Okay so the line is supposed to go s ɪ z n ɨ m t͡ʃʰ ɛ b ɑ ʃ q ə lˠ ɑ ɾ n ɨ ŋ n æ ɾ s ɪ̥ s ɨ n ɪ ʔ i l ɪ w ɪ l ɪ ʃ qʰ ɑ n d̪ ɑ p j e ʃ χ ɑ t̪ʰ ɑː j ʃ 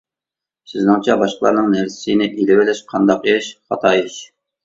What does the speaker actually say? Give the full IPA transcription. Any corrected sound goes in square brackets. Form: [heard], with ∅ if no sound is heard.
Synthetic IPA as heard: s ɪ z n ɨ [ŋ] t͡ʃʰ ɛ b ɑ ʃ q ə lˠ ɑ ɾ n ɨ ŋ n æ ɾ s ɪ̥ s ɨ n ɪ ʔ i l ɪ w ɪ l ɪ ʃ qʰ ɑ n d̪ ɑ [q] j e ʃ χ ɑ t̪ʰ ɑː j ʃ